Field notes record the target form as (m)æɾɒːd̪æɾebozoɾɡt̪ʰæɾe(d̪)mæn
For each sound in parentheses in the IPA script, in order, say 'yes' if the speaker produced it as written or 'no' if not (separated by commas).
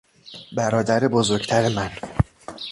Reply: no, no